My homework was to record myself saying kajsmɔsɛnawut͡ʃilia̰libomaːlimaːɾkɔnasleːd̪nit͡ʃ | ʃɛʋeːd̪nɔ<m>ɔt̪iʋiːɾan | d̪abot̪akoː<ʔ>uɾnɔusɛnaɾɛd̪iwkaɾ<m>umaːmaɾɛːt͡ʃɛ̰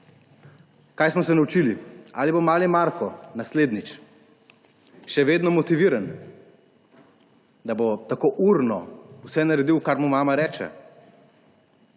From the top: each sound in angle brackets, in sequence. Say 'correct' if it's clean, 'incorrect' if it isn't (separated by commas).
correct, correct, correct